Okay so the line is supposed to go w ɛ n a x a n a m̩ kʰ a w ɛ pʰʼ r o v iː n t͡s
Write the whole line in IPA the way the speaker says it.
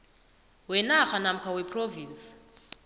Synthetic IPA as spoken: w ɛ n a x a n a m̩ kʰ a w ɛ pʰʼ r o v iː n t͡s

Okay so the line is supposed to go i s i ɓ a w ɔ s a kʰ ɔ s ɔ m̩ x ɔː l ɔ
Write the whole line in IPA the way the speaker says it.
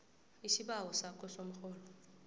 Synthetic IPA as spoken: i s i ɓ a w ɔ s a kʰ ɔ s o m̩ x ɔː l ɔ

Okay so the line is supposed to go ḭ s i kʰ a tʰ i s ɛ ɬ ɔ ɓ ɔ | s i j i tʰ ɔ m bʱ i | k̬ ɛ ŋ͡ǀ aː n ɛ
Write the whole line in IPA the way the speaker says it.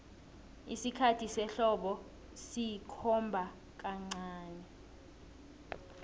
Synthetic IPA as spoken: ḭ s i kʰ a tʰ i s ɛ ɬ ɔ ɓ ɔ | s i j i kʰ ɔ m bʱ a | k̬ a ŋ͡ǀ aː n ɛ

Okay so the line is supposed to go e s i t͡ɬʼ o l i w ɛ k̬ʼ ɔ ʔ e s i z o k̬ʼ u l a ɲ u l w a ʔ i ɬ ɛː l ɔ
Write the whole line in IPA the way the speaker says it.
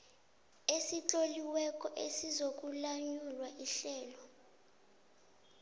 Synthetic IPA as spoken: e s i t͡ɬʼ o l i w ɛ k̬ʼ ɔ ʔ e s i z o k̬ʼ u l a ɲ u l w a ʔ i ɬ ɛː l ɔ

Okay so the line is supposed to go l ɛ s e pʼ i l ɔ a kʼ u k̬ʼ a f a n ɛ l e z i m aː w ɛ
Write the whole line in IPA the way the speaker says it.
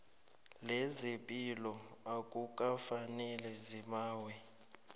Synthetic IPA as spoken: l ɛ z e pʼ i l ɔ a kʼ u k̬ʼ a f a n ɛ l ɛ z i m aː w ɛ

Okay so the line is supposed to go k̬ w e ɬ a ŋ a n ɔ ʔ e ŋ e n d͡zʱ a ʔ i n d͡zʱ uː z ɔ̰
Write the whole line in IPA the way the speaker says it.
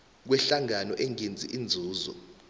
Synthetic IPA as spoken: k̬ w ɛ ɬ a ŋ a n ɔ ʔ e ŋ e n d͡zʱ i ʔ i n d͡zʱ uː z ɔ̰

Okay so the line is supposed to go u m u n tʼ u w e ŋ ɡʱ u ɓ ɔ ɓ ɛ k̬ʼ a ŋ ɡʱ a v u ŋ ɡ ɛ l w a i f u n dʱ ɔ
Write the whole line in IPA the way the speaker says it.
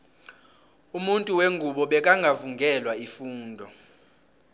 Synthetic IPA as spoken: u m u n tʼ u w e ŋ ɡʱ u ɓ ɔ ɓ ɛ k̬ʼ a ŋ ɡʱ a v u ŋ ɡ ɛ l w a i f uː n dʱ ɔ

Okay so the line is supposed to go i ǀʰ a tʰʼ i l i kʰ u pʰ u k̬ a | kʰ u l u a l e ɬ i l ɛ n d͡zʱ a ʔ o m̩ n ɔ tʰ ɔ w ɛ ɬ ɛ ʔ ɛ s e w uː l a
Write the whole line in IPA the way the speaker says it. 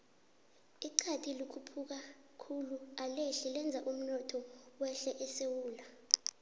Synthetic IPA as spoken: i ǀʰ a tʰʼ i l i kʰ u pʰ u k̬ a | kʰ u l u a l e ɬ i l ɛ n d͡zʱ a ʔ u m̩ n ɔ tʰ ɔ w ɛ ɬ ɛ ʔ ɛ s e w uː l a

